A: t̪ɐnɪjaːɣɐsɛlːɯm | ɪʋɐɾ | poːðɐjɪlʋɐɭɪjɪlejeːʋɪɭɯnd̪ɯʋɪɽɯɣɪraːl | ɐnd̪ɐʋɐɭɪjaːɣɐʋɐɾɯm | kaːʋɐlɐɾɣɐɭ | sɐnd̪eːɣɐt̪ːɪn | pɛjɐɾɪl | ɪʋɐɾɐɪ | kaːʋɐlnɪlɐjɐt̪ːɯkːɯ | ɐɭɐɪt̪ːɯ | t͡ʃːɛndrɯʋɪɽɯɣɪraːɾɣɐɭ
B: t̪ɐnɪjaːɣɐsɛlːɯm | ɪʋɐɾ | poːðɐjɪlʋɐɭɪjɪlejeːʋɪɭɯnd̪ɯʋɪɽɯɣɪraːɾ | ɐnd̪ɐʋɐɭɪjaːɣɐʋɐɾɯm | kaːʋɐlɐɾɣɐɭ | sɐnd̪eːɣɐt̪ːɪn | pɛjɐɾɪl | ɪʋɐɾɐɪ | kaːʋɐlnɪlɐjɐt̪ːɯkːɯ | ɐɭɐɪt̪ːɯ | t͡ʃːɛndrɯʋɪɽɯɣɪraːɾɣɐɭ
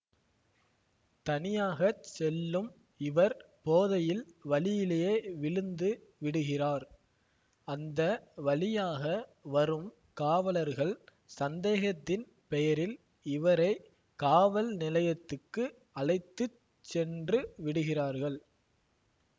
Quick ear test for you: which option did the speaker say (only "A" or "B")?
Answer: B